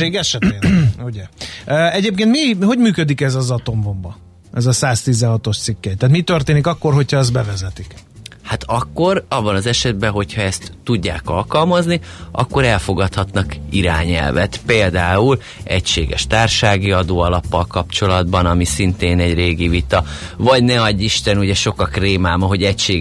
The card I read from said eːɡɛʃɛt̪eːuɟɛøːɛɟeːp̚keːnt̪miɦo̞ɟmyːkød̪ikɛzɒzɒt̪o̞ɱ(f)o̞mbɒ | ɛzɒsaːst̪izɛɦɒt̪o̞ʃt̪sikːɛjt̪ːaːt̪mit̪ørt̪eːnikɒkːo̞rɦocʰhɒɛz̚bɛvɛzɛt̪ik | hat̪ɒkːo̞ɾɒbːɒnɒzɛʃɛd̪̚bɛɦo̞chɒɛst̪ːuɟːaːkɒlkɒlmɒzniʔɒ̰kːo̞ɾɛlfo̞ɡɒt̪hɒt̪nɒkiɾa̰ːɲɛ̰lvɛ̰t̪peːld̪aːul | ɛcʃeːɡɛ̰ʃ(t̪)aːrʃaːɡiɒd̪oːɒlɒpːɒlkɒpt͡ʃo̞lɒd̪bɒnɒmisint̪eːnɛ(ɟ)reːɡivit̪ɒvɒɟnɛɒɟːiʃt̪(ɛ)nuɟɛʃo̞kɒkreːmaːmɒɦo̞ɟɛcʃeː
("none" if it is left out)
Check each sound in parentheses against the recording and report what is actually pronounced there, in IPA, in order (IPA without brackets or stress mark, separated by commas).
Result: v, t̪, ɟ, ɛ